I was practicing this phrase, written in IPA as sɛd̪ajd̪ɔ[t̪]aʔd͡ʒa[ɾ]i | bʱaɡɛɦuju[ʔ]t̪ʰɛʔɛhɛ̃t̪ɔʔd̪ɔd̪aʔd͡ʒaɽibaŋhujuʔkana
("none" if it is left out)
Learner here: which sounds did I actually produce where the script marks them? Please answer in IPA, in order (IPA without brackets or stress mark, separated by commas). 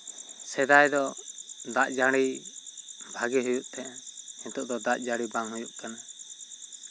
d̪, ɽ, ʔ